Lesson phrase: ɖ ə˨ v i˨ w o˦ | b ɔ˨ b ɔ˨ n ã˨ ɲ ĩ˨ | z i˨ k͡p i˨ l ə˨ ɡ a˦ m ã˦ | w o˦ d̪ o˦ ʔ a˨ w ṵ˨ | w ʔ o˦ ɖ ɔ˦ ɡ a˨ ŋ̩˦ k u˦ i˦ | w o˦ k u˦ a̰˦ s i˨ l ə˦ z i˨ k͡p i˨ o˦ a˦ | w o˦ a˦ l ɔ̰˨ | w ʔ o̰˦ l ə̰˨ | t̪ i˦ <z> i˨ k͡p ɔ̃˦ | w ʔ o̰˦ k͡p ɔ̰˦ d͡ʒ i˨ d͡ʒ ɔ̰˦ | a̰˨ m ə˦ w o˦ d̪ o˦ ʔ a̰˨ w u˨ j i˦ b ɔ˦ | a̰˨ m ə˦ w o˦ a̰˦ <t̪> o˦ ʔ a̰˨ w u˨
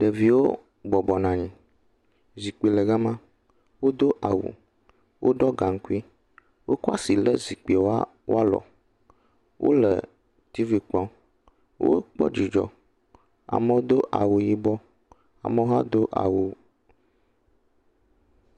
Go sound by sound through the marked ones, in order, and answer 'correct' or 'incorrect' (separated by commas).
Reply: incorrect, incorrect